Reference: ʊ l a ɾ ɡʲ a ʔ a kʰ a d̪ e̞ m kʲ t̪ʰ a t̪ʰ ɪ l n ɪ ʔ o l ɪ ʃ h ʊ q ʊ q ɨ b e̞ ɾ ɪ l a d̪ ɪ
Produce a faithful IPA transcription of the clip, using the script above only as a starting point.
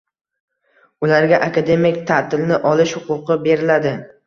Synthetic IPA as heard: ʊ l a ɾ ɡʲ a ʔ a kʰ a d̪ e̞ m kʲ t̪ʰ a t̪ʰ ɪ l n ɪ ʔ ɒ l ɪ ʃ h ʊ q ʊ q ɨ b e̞ ɾ ɪ l a d̪ ɪ